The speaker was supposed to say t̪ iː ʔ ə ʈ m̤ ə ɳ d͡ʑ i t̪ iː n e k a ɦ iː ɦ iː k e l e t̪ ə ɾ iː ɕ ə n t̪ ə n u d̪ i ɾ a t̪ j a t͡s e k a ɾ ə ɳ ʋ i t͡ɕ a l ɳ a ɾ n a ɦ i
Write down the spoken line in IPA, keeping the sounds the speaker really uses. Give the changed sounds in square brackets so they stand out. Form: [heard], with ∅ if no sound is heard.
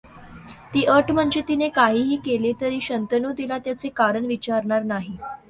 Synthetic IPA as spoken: t̪ iː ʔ ə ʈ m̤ ə ɳ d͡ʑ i t̪ [i] n e k a ɦ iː ɦ iː k e l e t̪ ə ɾ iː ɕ ə n t̪ ə n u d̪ i [l] a t̪ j a t͡s e k a ɾ ə ɳ ʋ i t͡ɕ a [ɾ] ɳ a ɾ n a ɦ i